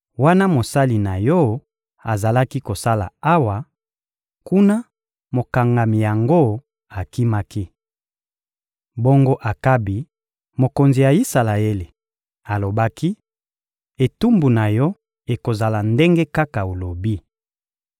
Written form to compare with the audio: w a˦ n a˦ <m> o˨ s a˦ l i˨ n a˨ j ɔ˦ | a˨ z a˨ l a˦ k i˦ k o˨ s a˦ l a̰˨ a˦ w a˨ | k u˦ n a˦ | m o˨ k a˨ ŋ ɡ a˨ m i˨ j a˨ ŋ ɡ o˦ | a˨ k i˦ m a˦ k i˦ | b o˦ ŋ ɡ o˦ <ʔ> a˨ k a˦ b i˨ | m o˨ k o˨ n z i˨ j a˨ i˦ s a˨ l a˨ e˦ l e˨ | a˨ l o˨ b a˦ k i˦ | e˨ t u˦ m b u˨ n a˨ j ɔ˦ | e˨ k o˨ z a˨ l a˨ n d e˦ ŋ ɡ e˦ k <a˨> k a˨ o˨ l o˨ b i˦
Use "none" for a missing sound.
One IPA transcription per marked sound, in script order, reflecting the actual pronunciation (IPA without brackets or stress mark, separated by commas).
m, ʔ, a˦